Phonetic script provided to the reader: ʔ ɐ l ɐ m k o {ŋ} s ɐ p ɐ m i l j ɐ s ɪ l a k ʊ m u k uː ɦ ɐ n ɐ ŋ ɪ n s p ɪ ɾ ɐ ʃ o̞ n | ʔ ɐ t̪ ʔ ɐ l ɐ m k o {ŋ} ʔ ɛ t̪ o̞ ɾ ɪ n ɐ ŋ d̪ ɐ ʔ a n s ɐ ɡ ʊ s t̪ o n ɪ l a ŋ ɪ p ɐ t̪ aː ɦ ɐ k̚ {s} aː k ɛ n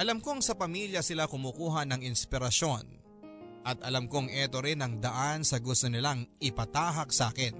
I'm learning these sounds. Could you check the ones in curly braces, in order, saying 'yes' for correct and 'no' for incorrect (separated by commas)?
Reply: yes, yes, yes